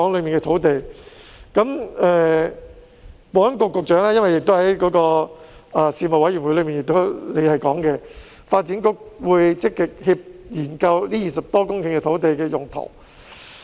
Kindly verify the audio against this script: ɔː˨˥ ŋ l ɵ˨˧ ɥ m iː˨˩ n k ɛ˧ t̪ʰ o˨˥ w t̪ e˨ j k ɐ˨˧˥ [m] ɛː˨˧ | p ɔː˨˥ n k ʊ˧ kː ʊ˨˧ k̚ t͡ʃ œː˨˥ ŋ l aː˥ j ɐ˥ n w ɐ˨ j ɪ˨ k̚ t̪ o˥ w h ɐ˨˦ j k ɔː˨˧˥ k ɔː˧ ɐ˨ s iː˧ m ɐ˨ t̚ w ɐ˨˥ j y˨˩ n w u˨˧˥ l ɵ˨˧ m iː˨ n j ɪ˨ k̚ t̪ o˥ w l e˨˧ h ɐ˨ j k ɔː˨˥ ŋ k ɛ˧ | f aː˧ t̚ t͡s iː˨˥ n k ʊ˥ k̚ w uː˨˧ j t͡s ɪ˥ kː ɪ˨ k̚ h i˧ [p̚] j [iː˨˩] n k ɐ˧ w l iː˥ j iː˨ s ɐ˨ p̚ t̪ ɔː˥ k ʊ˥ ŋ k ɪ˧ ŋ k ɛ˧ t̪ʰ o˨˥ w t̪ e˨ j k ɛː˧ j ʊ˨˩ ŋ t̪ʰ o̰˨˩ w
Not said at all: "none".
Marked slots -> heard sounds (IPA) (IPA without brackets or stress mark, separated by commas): m, p̚, iː˨˩